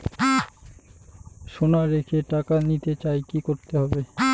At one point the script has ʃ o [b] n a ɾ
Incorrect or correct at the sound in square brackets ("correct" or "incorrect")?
incorrect